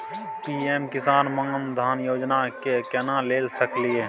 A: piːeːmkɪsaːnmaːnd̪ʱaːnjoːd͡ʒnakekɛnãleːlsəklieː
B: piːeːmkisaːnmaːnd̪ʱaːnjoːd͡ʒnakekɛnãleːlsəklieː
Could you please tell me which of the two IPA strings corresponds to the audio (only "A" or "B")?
A